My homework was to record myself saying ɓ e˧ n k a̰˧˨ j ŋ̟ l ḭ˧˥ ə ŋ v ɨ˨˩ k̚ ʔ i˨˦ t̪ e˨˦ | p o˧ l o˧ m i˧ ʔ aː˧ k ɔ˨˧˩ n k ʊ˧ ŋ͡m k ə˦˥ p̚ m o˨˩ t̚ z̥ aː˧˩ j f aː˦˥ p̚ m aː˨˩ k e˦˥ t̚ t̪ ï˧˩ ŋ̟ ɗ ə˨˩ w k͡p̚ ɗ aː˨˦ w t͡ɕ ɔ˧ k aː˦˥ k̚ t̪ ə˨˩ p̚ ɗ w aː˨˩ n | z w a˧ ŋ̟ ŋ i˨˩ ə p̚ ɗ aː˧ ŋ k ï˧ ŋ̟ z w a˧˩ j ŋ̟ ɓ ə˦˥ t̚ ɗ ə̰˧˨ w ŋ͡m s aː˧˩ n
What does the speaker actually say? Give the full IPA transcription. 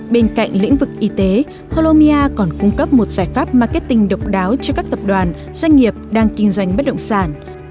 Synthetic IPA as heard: ɓ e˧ n k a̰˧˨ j ŋ̟ l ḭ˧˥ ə ŋ v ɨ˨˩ k̚ ʔ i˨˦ t̪ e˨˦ | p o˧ l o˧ m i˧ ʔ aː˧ k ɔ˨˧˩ n k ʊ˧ ŋ͡m k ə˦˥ p̚ m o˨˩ t̚ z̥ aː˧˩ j f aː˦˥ p̚ m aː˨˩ k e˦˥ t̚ t̪ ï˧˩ ŋ̟ ɗ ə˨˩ w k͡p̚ ɗ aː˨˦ w t͡ɕ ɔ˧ k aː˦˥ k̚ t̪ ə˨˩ p̚ ɗ w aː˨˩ n | z w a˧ ŋ̟ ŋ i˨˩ ə p̚ ɗ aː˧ ŋ k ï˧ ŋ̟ z w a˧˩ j ŋ̟ ɓ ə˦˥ t̚ ɗ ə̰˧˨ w ŋ͡m s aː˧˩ n